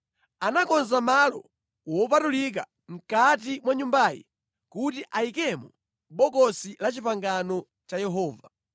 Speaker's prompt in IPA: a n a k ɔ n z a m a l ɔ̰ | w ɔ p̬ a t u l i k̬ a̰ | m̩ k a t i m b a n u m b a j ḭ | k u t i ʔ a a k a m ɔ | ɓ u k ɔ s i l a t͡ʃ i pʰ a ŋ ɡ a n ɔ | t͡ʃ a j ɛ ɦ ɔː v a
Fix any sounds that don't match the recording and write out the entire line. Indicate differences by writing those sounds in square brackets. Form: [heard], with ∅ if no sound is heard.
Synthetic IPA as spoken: a n a k ɔ n z a m a l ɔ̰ | w ɔ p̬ a t u l i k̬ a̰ | m̩ k a t i m [w] a [ɲ] u m b a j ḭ | k u t i ʔ a [i] k [ɛ] m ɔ | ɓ [ɔ] k ɔ s i l a t͡ʃ i [p] a ŋ ɡ a n ɔ | t͡ʃ a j ɛ ɦ ɔː v a